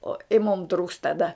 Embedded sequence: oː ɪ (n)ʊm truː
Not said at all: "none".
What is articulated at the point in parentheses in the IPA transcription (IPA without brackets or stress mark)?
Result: m